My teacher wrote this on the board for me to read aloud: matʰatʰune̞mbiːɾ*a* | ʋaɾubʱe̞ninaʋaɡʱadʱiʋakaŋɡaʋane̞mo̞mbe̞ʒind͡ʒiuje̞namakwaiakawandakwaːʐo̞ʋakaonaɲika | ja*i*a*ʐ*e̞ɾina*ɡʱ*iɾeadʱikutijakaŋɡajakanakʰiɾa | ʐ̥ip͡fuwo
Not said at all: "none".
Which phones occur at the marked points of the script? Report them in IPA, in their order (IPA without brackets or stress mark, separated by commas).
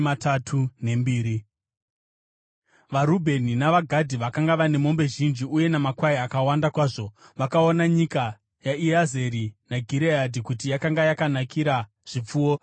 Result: i, i, z, ɡʱ